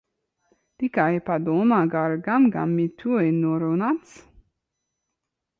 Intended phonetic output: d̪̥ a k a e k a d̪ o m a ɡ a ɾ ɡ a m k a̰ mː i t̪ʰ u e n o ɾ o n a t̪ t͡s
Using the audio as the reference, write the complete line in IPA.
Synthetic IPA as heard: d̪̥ i k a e p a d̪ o m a ɡ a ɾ ɡ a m ɡ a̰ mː i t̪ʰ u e n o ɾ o n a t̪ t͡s